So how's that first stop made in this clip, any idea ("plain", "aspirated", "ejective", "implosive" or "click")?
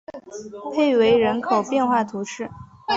aspirated